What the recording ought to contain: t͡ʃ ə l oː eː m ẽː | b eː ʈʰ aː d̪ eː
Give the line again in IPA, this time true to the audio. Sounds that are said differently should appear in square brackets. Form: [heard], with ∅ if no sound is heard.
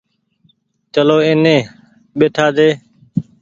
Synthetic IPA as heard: t͡ʃ ə l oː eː [n] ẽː | [ɓ] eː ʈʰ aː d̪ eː

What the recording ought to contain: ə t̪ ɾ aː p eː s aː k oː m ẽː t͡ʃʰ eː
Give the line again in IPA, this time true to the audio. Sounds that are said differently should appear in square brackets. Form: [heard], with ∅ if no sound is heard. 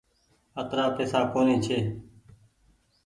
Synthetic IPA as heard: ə t̪ ɾ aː p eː s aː k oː [n] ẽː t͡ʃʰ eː

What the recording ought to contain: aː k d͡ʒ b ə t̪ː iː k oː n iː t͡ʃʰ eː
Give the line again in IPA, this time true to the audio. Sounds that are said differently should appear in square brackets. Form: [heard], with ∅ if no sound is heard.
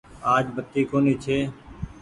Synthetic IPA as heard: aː [∅] d͡ʒ b ə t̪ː iː k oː n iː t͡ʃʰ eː

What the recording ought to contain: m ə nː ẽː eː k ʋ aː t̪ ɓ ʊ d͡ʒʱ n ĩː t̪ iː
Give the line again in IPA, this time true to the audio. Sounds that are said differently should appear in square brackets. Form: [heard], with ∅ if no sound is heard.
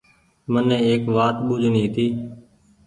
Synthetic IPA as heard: m ə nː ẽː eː k ʋ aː t̪ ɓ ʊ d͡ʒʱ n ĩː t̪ iː

